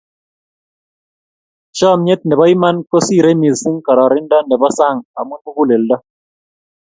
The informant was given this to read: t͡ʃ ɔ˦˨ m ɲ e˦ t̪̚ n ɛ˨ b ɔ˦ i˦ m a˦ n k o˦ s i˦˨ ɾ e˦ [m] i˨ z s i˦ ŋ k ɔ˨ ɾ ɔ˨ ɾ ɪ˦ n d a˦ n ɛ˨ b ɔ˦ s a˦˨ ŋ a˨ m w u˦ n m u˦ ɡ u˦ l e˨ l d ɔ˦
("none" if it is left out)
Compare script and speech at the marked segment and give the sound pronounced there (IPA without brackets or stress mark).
m